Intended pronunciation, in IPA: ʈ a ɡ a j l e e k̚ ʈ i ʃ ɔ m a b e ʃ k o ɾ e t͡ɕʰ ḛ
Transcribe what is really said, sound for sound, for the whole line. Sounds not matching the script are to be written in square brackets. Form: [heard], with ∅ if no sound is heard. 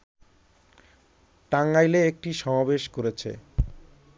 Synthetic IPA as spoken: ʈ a [ŋ] a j l e e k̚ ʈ i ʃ ɔ m a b e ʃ k o ɾ e t͡ɕʰ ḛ